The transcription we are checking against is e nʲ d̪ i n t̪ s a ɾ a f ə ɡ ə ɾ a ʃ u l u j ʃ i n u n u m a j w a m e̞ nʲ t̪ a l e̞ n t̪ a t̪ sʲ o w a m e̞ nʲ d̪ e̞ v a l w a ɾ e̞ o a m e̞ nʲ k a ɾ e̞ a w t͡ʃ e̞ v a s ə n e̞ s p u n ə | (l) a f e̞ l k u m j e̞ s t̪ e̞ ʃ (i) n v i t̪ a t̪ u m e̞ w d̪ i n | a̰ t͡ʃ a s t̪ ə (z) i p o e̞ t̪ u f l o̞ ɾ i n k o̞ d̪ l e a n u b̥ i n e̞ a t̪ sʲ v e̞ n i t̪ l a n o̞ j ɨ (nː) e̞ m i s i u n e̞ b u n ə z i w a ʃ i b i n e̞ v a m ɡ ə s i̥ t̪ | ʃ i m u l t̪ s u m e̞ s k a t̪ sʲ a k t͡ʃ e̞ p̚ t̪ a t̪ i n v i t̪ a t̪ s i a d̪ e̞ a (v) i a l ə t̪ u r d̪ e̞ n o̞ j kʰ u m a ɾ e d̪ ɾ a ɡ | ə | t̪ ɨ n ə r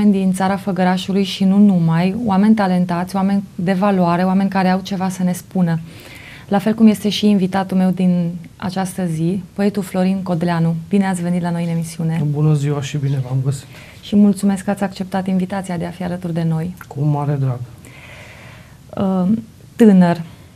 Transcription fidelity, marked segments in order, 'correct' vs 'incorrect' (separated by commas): correct, incorrect, correct, incorrect, incorrect